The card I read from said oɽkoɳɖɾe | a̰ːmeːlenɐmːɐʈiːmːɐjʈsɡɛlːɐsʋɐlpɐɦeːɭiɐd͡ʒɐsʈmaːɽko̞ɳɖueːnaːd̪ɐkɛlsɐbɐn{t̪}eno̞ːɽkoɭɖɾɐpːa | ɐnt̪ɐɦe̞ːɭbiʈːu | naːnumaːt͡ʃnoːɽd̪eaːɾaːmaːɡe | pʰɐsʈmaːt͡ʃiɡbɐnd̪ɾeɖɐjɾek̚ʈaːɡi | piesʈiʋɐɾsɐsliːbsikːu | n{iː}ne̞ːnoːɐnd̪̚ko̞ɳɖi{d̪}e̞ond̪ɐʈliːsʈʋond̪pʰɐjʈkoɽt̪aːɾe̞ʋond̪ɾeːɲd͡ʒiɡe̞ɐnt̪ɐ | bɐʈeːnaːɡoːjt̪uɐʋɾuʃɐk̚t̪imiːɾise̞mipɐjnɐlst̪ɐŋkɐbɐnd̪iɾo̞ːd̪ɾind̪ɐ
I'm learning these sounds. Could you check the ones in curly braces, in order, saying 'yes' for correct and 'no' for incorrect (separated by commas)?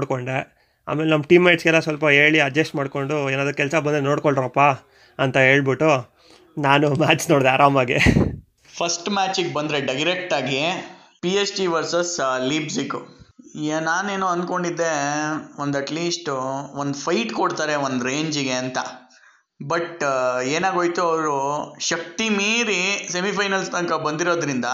no, no, no